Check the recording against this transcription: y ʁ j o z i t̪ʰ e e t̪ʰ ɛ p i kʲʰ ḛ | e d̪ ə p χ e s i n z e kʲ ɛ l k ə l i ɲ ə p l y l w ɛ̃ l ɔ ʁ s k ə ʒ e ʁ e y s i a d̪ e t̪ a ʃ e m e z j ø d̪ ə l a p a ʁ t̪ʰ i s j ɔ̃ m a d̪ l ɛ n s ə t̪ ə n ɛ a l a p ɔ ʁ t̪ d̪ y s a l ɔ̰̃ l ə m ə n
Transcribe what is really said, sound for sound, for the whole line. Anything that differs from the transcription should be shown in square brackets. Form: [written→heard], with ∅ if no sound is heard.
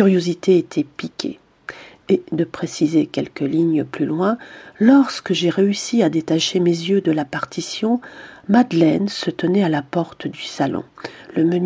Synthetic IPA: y ʁ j o z i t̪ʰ e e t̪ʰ ɛ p i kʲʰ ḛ | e d̪ ə p χ e s i [n→∅] z e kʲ ɛ l k ə l i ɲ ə p l y l w ɛ̃ l ɔ ʁ s k ə ʒ e ʁ e y s i a d̪ e t̪ a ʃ e m e z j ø d̪ ə l a p a ʁ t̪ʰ i s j ɔ̃ m a d̪ l ɛ n s ə t̪ ə n ɛ a l a p ɔ ʁ t̪ d̪ y s a l ɔ̰̃ l ə m ə n